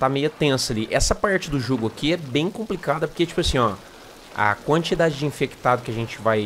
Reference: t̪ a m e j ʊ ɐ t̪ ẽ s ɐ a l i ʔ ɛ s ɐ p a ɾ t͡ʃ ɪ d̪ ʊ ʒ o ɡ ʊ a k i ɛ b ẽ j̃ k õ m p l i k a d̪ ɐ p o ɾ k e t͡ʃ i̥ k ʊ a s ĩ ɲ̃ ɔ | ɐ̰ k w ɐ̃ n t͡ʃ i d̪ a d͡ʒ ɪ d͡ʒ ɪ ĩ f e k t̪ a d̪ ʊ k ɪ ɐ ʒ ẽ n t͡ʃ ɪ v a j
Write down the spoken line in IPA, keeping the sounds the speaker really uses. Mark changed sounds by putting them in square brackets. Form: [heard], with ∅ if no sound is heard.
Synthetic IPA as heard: t̪ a m e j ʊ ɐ t̪ ẽ s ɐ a l i ʔ ɛ s ɐ p a ɾ t͡ʃ ɪ d̪ ʊ ʒ o ɡ ʊ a k i ɛ b ẽ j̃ k õ m p l i k a d̪ ɐ p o ɾ k e t͡ʃ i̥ [p] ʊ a s ĩ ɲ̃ ɔ | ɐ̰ k w ɐ̃ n t͡ʃ i d̪ a d͡ʒ ɪ d͡ʒ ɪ ĩ f e k t̪ a d̪ ʊ k ɪ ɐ ʒ ẽ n t͡ʃ ɪ v a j